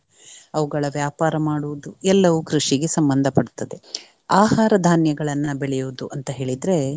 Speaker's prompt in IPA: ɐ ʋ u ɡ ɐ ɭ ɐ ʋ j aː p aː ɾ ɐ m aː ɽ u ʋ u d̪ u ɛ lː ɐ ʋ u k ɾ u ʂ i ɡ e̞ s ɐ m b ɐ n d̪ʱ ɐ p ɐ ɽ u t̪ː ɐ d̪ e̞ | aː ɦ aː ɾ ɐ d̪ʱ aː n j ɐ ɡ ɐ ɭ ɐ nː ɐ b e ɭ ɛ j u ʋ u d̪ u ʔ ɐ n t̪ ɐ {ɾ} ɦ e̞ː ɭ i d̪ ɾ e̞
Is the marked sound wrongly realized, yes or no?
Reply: yes